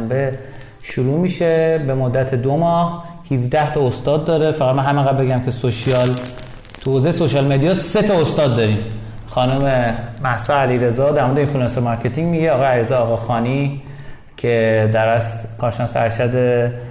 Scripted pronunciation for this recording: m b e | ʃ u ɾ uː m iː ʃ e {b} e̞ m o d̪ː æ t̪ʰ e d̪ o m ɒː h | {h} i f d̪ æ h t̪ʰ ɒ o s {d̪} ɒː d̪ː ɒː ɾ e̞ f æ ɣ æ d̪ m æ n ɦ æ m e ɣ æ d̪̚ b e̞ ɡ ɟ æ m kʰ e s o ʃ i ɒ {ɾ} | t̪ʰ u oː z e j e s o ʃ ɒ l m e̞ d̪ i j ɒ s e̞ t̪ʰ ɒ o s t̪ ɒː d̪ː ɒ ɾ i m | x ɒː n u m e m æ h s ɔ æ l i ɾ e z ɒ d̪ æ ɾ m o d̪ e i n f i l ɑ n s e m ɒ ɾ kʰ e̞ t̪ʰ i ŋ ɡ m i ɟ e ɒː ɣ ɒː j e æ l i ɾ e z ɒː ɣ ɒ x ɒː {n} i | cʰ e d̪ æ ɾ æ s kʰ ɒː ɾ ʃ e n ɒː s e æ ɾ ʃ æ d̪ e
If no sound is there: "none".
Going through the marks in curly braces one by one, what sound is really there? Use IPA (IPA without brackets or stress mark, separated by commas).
b, h, t̪, l, n